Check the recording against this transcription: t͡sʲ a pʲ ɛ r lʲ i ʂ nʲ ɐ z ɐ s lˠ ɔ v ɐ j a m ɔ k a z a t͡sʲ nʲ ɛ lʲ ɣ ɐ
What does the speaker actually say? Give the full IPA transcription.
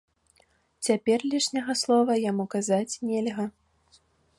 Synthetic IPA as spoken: t͡sʲ a pʲ ɛ r lʲ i ʂ nʲ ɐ ɣ ɐ s lˠ ɔ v ɐ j a m u k a z a t͡sʲ nʲ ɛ lʲ ɣ ɐ